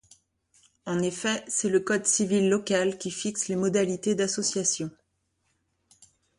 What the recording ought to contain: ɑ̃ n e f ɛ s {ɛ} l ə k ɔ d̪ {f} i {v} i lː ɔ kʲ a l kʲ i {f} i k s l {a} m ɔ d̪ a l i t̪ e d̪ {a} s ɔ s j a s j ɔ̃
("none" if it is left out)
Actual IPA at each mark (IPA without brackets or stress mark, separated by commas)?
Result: ɛ, s, v, f, e, a